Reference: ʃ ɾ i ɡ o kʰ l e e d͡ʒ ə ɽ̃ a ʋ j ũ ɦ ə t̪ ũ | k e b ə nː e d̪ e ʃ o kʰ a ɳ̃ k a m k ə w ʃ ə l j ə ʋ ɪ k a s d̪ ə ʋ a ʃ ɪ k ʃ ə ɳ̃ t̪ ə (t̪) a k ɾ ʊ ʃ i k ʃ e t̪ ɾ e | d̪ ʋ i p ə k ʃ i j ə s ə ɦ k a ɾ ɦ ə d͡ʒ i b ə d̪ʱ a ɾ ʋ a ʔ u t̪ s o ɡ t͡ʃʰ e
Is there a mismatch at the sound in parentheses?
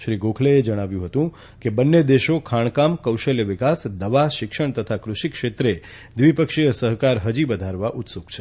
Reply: yes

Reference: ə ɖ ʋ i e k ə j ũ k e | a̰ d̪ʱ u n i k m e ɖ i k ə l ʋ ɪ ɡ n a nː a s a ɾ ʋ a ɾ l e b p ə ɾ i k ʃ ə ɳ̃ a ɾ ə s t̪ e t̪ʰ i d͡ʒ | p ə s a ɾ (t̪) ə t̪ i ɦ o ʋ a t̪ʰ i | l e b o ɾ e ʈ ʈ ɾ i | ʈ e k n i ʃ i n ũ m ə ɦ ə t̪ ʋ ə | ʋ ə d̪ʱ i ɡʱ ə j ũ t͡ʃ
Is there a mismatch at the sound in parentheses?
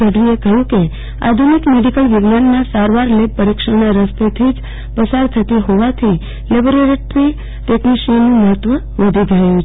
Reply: yes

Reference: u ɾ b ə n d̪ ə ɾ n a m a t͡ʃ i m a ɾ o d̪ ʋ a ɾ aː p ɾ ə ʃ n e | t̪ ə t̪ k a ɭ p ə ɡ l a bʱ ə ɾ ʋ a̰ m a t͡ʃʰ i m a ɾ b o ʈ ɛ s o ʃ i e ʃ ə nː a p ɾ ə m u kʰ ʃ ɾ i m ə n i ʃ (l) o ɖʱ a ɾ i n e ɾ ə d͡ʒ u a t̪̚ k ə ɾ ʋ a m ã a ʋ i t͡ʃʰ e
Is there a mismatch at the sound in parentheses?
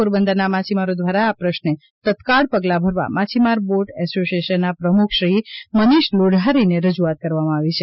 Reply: no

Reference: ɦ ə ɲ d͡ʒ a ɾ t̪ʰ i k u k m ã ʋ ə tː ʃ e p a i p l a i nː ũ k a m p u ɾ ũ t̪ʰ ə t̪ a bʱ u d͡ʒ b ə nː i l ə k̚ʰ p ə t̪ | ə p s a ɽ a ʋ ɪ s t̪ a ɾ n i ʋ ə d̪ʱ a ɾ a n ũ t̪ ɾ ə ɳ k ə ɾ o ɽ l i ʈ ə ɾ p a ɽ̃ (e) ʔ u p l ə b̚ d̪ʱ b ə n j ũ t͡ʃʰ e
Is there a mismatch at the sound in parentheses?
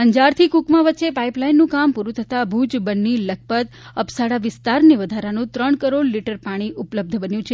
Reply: yes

